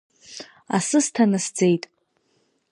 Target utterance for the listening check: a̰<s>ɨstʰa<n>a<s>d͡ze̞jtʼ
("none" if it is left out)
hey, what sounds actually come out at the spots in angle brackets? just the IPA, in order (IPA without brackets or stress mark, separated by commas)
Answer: s, n, s